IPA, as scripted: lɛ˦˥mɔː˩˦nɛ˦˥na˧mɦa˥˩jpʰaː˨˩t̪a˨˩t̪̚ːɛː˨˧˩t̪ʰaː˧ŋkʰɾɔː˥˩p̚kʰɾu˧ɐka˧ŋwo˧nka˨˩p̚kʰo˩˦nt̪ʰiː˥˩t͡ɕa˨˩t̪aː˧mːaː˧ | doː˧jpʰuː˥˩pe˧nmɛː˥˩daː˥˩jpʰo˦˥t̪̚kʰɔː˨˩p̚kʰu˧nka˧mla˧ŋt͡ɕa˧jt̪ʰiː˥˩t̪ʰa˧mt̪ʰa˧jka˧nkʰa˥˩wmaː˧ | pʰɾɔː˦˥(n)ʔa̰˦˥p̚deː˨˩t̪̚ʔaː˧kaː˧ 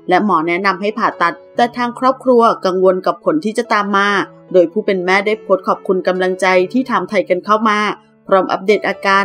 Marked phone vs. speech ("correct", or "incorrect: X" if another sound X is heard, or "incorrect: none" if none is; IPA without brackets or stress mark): incorrect: m